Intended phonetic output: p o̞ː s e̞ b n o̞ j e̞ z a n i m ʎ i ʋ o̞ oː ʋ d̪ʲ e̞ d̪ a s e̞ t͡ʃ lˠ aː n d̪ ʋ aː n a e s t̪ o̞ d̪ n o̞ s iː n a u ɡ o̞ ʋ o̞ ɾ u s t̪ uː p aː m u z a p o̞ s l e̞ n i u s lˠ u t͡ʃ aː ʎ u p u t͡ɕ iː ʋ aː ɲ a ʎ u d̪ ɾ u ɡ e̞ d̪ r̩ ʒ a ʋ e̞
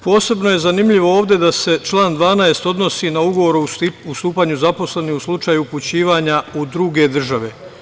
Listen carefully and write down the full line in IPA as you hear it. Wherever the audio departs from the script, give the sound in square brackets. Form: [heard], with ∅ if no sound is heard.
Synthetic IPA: p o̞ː s e̞ b n o̞ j e̞ z a n i m ʎ i ʋ o̞ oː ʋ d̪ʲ e̞ d̪ a s e̞ t͡ʃ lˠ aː n d̪ ʋ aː n a e s t̪ o̞ d̪ n o̞ s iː n a u ɡ o̞ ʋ o̞ ɾ u s t̪ uː p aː [ɲ] u z a p o̞ s l e̞ n i u s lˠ u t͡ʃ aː [j] u p u t͡ɕ iː ʋ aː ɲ a [∅] u d̪ ɾ u ɡ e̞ d̪ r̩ ʒ a ʋ e̞